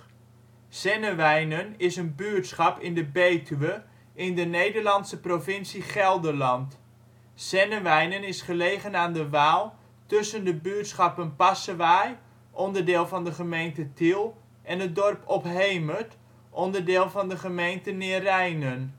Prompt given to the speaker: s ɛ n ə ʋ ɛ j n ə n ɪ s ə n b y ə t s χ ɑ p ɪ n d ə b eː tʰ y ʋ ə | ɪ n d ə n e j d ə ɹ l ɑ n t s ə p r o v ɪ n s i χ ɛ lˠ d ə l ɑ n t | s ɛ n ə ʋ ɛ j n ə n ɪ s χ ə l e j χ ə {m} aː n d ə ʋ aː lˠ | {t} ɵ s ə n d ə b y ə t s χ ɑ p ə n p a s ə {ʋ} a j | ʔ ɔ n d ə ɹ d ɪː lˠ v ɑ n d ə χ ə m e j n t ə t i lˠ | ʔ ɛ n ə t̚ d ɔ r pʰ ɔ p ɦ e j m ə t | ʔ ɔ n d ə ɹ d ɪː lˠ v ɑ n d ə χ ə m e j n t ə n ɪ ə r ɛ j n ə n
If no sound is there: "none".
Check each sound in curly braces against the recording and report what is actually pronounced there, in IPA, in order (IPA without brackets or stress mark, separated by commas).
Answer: n, t, ʋ